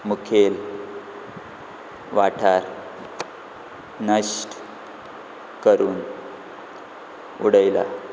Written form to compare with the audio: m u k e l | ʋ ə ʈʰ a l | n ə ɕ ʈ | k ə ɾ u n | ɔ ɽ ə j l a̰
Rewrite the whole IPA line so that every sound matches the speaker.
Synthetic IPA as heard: m u kʰ e l | ʋ a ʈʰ a ɾ | n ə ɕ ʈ | k ə ɾ uː n | u ɽ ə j l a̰